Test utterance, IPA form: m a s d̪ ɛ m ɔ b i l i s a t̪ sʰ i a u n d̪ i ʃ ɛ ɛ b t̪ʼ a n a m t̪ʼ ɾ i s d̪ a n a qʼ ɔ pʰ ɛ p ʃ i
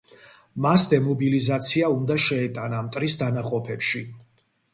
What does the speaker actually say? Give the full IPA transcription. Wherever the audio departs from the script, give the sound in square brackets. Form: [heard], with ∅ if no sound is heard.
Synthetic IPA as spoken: m a s d̪ ɛ m ɔ b i l i [z] a t̪ sʰ i a u n d̪ [a] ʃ ɛ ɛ [∅] t̪ʼ a n a m t̪ʼ ɾ i s d̪ a n a qʼ ɔ pʰ ɛ p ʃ i